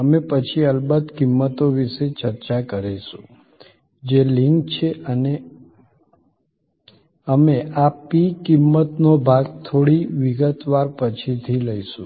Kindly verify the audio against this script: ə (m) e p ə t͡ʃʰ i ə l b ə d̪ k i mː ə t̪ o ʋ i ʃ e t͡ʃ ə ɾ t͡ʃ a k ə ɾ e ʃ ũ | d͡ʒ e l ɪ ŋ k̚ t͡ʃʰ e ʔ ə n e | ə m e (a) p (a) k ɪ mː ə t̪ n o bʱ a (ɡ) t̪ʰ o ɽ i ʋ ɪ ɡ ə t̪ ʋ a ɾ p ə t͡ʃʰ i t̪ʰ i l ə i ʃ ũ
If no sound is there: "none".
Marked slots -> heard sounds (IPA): m, a, i, ɡ

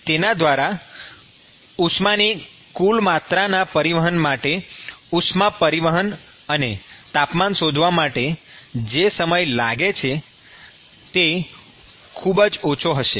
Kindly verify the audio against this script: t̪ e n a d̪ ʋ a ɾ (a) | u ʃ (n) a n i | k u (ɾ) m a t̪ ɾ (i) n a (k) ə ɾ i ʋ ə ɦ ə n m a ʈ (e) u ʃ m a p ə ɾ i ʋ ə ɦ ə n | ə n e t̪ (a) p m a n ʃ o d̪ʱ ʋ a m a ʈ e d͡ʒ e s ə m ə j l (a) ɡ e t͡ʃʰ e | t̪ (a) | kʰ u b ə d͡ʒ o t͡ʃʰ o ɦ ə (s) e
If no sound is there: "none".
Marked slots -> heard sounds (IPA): a, m, l, a, p, e, a, a, e, ʃ

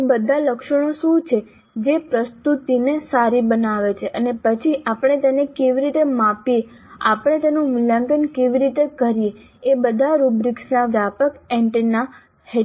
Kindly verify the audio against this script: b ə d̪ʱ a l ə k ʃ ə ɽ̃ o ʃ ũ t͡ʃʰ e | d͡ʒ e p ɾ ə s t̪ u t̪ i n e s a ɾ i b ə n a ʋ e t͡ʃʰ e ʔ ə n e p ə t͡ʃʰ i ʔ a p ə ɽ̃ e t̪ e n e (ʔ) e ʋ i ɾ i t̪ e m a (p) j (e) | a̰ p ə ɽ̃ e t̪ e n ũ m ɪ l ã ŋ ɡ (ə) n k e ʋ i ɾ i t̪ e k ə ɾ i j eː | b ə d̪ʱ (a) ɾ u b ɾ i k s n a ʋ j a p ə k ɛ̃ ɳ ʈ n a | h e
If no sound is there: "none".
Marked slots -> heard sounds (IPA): k, p, e, ə, a

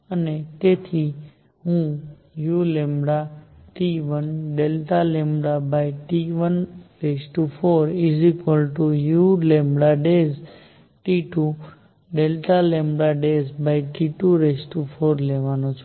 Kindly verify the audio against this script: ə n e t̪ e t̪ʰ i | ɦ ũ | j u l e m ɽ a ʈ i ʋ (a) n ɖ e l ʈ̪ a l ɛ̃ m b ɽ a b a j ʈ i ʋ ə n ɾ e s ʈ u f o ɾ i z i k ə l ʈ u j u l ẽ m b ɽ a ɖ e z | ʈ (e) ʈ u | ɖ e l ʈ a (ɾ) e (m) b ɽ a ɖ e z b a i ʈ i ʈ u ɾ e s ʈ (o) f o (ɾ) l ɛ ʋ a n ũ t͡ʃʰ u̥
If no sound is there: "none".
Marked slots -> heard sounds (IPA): ə, i, l, m, u, ɾ

